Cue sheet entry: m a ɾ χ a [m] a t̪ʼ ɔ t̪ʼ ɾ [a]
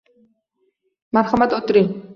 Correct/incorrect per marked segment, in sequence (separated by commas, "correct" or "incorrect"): correct, incorrect